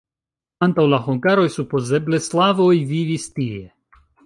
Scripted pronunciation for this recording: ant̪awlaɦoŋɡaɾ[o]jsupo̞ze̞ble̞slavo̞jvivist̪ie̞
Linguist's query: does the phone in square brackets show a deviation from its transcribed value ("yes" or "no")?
no